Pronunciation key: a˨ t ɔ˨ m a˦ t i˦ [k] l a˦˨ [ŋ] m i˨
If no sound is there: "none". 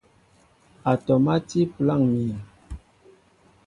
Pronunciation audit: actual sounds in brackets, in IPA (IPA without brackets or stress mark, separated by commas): p, ŋ